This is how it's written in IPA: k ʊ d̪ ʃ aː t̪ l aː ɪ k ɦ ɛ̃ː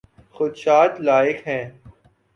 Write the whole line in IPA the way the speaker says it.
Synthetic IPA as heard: x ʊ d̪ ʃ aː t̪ l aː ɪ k ɦ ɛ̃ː

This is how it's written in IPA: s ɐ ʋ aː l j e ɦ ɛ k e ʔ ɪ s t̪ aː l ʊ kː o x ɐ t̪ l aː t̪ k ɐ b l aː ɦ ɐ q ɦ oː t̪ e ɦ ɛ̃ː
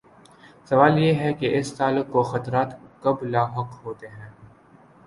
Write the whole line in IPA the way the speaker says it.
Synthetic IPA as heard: s ɐ ʋ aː l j e ɦ ɛ k e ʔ ɪ s t̪ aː l ʊ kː o x ɐ t̪ ɾ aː t̪ k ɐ b l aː ɦ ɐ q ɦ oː t̪ e ɦ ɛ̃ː

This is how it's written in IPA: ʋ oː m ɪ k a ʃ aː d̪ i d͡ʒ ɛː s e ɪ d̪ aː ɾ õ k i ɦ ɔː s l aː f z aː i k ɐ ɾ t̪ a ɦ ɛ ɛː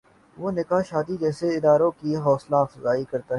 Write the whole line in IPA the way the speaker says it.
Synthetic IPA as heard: ʋ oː n ɪ k a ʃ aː d̪ i d͡ʒ ɛː s e ɪ d̪ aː ɾ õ k i ɦ ɔː s l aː f z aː i k ɐ ɾ t̪ a ɦ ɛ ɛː

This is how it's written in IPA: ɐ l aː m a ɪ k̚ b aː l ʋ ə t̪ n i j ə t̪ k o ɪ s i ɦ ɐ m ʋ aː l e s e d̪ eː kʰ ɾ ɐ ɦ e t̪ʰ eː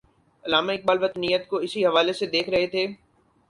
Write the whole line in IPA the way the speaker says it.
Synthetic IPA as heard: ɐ l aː m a ɪ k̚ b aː l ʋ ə t̪ n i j ə t̪ k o ɪ s i ɦ ɐ ʋ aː l e s e d̪ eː kʰ ɾ ɐ ɦ e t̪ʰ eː

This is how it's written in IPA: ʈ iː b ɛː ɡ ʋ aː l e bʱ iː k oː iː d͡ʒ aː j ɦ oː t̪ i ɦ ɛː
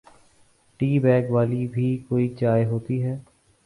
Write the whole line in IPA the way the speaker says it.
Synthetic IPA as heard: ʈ iː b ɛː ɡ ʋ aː l i bʱ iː k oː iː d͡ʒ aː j ɦ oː t̪ i ɦ ɛː

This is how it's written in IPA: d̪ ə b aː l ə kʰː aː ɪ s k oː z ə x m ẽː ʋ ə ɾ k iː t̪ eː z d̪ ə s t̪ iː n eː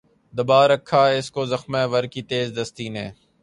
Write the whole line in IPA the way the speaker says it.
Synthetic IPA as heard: d̪ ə b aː ɾ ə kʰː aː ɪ s k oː z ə x m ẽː ʋ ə ɾ k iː t̪ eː z d̪ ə s t̪ iː n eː

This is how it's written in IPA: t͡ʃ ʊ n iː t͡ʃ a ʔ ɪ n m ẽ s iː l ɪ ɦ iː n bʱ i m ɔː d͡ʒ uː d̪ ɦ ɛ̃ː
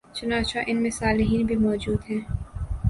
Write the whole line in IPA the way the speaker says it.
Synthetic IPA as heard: t͡ʃ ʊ n aː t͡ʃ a ʔ ɪ n m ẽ s aː l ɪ ɦ iː n bʱ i m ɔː d͡ʒ uː d̪ ɦ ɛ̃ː

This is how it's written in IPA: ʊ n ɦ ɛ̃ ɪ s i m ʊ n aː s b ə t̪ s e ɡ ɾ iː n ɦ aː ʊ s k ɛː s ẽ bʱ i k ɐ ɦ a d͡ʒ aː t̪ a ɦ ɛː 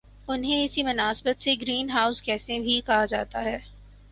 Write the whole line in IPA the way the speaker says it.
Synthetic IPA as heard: ʊ n ɦ ẽ ɪ s i m ʊ n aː s b ə t̪ s e ɡ ɾ iː n ɦ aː ʊ s k ɛː s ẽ bʱ i k ɐ ɦ a d͡ʒ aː t̪ a ɦ ɛː

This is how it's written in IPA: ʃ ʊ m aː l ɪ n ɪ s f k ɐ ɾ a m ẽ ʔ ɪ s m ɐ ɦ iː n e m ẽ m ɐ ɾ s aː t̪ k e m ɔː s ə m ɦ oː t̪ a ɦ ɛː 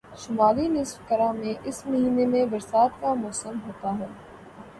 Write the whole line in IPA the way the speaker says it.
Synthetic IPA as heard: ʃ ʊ m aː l i n ɪ s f k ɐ ɾ a m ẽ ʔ ɪ s m ɐ ɦ iː n e m ẽ b ɐ ɾ s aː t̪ k a m ɔː s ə m ɦ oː t̪ a ɦ ɛː

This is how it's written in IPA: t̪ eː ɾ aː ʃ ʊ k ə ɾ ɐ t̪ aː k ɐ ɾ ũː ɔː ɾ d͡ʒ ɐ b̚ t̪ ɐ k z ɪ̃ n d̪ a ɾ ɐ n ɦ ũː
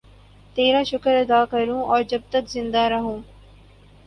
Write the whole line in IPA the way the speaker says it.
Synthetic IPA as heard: t̪ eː ɾ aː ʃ ʊ k ə ɾ ɐ d̪ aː k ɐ ɾ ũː ɔː ɾ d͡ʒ ɐ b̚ t̪ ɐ k z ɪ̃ n d̪ a ɾ ɐ ɦ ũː

